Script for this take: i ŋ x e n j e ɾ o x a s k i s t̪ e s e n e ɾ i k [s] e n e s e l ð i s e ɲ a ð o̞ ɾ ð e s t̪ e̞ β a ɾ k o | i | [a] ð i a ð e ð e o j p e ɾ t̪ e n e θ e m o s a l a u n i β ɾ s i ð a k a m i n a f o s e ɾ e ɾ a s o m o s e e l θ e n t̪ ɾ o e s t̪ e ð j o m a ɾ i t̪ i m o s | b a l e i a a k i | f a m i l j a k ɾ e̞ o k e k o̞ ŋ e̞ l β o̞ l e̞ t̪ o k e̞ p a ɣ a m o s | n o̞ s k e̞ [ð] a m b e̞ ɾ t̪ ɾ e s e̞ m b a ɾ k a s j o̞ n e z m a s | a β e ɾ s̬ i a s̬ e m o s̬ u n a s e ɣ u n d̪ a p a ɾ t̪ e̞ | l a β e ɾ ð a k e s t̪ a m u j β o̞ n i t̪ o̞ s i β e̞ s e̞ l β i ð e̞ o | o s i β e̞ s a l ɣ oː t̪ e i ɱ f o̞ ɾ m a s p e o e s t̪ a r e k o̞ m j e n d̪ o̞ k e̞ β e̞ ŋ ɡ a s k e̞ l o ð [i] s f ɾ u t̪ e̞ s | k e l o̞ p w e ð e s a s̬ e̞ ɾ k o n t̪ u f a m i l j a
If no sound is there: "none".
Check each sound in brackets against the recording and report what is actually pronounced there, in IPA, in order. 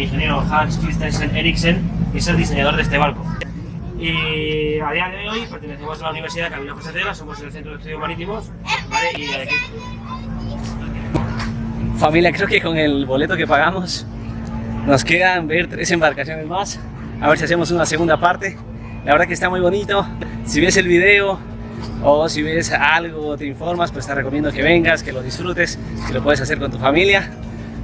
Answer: s, a, ð, i

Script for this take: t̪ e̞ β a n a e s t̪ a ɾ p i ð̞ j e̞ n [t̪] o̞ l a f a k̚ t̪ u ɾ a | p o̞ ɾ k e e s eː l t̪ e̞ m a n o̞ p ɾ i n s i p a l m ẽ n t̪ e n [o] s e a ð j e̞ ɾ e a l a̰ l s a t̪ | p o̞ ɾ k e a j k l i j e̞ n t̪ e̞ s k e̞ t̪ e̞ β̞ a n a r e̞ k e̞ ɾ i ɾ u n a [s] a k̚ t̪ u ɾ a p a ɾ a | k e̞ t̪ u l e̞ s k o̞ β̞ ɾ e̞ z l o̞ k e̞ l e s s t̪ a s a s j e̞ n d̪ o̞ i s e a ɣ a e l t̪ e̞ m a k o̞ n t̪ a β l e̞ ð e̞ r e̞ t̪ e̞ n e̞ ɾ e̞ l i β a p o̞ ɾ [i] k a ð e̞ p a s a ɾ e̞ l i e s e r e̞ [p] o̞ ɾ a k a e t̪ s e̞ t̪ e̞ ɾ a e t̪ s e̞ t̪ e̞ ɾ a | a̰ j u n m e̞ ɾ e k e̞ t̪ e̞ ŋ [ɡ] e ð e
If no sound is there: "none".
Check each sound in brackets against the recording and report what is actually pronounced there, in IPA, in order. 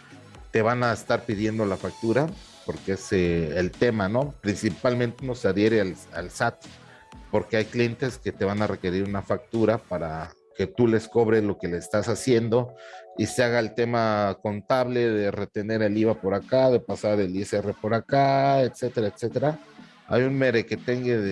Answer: d̪, o, f, a, p, ɡ

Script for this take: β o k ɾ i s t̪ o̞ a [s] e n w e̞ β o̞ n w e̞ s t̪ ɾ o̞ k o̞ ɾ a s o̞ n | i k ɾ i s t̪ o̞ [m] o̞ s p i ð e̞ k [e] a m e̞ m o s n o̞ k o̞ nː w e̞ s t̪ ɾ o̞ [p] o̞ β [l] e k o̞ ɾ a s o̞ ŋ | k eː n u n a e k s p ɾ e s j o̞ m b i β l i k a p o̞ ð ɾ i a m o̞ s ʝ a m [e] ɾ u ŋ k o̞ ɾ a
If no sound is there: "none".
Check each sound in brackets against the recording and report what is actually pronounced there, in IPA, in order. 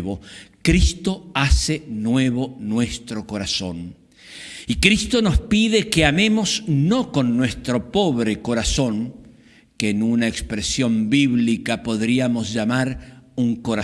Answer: s, n, e, p, ɾ, a

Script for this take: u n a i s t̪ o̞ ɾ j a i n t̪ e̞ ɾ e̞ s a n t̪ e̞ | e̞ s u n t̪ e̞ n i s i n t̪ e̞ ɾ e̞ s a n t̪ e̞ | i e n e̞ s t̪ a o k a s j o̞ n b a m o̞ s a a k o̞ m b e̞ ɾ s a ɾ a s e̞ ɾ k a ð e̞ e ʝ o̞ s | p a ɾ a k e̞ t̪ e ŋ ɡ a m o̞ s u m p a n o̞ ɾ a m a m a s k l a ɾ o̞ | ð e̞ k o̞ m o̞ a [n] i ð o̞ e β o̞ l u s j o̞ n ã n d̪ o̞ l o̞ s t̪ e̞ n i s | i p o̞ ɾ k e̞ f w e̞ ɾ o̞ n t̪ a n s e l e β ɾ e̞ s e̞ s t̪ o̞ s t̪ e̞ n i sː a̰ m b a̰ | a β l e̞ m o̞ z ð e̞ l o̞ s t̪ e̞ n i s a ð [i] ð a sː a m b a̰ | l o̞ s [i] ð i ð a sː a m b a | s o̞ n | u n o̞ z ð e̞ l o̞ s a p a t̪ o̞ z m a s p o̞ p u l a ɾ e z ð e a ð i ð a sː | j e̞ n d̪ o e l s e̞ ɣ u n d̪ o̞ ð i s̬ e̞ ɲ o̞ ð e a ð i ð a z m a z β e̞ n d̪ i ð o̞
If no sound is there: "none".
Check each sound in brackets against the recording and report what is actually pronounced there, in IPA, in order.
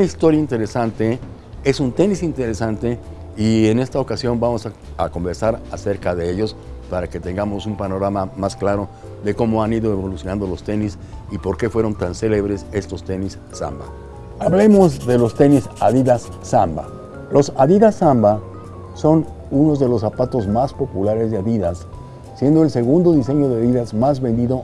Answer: n, i, a

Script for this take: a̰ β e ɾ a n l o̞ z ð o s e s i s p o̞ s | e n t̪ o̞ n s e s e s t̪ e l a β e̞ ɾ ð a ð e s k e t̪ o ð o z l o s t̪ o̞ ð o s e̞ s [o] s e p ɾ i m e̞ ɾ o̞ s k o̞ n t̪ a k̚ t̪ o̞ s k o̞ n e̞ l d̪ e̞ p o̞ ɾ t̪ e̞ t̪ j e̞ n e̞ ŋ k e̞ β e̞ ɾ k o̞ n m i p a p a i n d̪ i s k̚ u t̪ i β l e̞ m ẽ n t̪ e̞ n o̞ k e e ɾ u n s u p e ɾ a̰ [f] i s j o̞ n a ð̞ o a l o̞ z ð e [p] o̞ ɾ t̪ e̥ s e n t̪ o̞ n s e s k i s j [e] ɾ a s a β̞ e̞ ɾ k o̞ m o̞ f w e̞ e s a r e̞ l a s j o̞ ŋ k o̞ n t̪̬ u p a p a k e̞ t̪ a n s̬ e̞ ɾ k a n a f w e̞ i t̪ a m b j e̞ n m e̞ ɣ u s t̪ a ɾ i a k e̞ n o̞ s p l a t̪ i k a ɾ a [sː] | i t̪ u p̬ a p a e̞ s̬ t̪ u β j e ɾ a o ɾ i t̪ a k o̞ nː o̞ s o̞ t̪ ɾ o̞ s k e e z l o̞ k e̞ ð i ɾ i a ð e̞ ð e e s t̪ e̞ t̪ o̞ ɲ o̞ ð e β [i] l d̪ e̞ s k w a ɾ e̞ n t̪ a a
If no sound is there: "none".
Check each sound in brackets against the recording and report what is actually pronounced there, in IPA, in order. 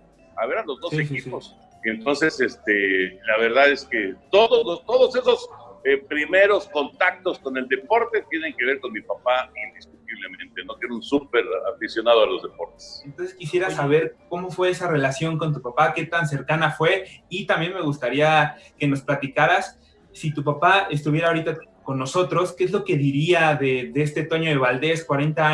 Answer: o, f, p, e, sː, a

